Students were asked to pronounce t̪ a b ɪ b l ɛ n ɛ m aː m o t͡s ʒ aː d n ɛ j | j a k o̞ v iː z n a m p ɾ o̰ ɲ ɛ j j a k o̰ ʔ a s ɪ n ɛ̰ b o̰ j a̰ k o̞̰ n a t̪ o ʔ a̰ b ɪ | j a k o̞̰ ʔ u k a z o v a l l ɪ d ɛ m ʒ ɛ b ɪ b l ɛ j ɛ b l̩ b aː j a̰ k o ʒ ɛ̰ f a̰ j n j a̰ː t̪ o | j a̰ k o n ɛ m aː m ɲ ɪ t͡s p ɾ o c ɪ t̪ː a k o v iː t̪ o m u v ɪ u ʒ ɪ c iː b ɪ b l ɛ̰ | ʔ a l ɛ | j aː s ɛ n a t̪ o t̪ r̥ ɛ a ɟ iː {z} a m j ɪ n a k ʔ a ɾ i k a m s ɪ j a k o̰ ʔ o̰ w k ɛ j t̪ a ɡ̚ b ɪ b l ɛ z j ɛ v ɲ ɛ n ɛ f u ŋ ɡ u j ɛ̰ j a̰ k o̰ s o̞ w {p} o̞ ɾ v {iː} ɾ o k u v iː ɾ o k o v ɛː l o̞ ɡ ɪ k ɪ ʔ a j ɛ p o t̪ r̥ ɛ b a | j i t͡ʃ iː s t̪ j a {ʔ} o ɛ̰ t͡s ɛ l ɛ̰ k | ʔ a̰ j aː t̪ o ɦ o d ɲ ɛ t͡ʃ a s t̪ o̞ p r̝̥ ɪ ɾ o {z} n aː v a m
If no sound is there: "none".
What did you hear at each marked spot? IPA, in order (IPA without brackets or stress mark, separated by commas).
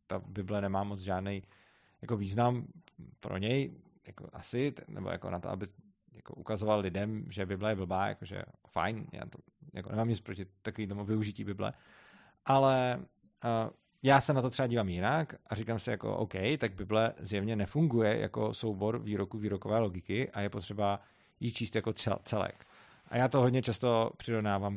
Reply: v, b, iː, k, v